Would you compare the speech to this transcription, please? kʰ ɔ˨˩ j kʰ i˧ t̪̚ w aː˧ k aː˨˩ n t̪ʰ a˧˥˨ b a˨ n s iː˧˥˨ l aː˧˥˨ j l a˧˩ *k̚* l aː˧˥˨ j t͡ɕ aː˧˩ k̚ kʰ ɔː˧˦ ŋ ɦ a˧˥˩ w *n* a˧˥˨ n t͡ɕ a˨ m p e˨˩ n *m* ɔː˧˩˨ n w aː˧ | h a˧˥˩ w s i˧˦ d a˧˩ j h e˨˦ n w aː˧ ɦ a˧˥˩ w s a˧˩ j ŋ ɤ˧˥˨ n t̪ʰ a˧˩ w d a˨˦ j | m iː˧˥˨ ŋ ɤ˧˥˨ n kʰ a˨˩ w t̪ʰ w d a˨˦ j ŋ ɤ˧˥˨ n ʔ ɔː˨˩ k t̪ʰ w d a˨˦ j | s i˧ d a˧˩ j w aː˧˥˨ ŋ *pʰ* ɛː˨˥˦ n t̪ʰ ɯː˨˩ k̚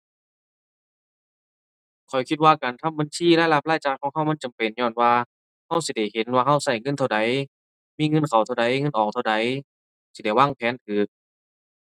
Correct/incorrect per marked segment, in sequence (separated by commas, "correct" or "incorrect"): incorrect, incorrect, incorrect, correct